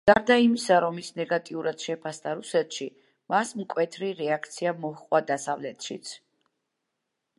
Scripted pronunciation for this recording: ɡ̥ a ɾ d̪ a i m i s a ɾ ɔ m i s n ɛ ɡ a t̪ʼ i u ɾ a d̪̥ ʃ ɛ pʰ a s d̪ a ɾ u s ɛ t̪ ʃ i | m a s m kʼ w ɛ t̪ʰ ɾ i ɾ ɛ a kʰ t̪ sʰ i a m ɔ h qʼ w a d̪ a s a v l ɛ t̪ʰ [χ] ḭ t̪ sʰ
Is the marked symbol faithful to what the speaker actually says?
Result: no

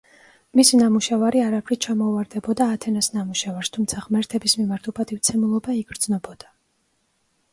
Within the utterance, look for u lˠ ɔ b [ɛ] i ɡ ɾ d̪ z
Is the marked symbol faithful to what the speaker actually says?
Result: no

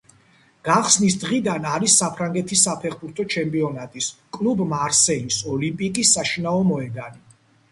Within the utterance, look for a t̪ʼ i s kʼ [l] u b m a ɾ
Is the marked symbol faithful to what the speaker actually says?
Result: yes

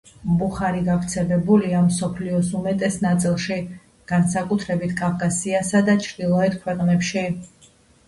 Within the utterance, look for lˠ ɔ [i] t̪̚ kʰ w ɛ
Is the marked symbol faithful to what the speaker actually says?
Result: no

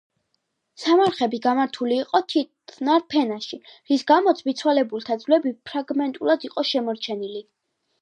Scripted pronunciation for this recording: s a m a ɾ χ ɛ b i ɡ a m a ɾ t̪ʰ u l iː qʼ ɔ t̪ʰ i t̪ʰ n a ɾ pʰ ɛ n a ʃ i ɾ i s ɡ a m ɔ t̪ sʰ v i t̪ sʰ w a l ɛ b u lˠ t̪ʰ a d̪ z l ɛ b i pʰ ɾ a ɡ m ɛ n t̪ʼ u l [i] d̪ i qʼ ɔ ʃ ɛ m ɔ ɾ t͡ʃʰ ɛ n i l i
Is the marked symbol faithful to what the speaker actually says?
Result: no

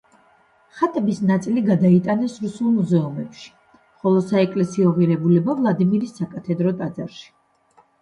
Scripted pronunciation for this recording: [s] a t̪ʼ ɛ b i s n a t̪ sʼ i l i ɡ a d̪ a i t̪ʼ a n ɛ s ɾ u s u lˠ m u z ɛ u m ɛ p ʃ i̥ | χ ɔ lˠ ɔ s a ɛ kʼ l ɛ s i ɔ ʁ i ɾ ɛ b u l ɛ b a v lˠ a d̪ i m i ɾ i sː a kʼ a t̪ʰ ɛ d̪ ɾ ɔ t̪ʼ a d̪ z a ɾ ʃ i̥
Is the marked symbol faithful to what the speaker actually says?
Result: no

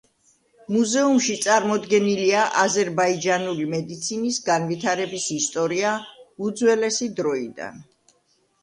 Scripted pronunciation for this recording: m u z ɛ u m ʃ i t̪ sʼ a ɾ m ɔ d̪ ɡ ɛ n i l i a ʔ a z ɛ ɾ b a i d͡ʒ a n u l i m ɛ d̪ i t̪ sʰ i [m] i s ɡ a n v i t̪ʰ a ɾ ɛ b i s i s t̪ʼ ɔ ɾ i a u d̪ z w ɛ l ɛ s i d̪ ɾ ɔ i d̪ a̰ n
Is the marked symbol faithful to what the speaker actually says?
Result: no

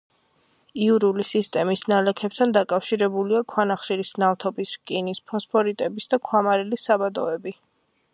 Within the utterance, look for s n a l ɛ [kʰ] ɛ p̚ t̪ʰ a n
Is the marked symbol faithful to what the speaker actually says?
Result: yes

